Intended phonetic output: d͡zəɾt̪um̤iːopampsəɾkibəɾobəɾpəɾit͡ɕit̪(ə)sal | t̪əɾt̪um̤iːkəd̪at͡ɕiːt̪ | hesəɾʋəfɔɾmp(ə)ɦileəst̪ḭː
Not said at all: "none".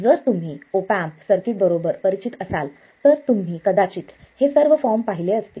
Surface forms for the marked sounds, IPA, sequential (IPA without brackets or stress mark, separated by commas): ə, a